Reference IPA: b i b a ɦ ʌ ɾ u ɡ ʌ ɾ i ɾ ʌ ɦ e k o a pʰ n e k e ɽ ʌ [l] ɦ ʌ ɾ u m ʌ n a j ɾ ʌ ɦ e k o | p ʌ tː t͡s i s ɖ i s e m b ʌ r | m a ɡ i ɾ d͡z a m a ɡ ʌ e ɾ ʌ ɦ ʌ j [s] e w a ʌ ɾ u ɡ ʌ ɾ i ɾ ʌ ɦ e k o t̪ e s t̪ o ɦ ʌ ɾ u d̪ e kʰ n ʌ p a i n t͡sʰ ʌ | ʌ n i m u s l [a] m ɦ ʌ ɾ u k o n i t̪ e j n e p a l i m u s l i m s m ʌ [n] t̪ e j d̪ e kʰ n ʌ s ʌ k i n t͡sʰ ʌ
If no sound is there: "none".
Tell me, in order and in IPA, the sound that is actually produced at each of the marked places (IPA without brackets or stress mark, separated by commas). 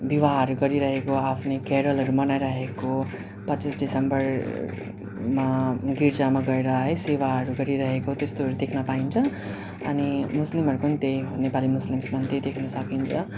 l, s, i, n